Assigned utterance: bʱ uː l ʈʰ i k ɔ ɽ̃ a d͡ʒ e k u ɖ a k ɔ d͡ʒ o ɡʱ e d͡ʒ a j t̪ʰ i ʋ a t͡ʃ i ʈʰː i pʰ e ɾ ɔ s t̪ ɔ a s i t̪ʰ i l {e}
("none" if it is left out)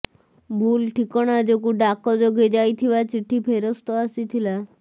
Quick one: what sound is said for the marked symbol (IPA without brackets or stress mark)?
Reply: a